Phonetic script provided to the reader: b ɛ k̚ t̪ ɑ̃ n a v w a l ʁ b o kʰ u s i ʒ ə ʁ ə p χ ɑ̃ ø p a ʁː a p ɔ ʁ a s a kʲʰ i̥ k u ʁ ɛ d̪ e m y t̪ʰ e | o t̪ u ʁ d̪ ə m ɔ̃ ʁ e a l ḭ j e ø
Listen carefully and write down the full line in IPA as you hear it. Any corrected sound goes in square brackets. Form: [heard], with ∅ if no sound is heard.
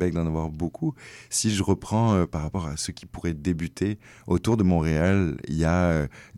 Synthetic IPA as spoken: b ɛ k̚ [d̪] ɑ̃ n a v w a [∅] ʁ b o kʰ u s i ʒ ə ʁ ə p χ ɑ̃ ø p a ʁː a p ɔ ʁ a s [ə] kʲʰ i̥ [p] u ʁ ɛ d̪ e [b] y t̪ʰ e | o t̪ u ʁ d̪ ə m ɔ̃ ʁ e a l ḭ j [a] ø